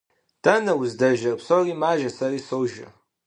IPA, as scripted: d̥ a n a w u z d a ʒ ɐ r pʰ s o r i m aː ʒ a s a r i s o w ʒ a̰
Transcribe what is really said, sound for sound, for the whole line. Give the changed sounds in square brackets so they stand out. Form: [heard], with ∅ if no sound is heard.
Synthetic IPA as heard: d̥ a n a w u z d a ʒ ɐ r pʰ s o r i m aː ʒ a s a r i s o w ʒ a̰